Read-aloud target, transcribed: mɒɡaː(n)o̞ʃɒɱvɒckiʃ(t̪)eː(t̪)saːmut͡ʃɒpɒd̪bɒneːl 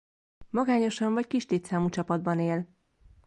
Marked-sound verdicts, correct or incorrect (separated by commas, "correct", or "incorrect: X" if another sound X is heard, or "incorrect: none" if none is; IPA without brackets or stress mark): incorrect: ɲ, correct, correct